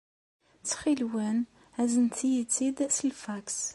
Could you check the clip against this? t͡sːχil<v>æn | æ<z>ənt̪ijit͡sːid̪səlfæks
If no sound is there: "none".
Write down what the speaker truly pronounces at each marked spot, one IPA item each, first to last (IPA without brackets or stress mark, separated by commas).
w, z